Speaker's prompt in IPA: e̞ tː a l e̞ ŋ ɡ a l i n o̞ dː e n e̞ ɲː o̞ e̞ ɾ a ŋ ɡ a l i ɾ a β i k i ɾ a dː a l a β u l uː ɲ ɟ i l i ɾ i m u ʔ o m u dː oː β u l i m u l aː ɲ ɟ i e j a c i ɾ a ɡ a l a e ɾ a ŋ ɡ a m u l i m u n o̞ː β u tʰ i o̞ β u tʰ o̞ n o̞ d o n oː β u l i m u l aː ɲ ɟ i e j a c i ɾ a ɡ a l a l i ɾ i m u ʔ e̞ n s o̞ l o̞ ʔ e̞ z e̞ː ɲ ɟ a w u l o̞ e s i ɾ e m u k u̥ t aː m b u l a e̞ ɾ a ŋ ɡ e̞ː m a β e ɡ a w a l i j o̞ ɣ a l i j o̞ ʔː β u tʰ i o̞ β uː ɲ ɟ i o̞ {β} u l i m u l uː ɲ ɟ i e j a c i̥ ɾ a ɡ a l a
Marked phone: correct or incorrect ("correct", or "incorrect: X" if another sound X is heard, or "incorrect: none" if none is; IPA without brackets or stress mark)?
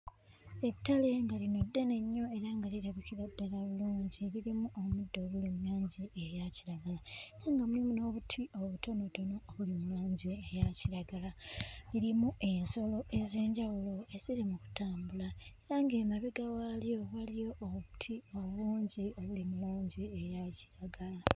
correct